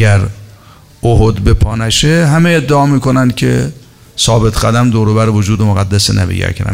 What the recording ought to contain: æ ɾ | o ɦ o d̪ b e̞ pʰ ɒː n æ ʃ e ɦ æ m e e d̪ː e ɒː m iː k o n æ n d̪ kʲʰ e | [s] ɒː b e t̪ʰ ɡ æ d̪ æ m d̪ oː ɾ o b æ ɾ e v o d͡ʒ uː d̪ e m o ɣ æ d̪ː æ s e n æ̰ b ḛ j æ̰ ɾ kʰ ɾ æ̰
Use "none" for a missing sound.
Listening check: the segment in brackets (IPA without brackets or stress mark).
s